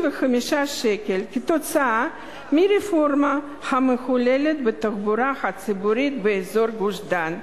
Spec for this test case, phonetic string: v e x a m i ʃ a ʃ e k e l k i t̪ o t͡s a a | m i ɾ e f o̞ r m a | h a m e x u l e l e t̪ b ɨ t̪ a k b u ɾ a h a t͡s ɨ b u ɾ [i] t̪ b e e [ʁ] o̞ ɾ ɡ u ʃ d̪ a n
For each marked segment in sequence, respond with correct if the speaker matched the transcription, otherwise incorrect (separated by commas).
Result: correct, incorrect